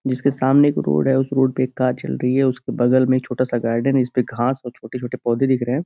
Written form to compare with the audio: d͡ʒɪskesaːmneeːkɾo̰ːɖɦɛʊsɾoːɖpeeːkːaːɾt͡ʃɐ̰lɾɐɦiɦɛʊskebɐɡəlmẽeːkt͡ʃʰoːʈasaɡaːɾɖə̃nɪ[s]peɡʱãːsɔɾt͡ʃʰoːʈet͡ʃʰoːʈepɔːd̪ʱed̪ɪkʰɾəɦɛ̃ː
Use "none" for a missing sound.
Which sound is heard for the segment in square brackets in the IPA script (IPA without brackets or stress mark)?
s